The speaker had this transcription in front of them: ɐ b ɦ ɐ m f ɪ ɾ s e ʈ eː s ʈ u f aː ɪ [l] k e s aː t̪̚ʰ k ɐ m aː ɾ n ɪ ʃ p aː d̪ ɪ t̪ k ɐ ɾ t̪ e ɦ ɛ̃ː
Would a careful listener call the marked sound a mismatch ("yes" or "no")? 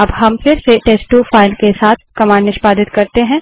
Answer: no